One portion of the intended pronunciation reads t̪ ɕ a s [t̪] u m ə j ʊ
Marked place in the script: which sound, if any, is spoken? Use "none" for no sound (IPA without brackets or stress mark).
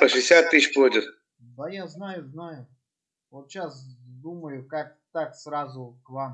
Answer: d̪